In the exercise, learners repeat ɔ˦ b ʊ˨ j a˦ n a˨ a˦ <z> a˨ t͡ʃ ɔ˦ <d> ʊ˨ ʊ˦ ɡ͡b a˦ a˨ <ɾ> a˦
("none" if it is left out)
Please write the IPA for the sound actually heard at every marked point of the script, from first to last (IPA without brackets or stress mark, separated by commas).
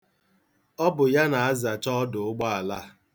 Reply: z, d, l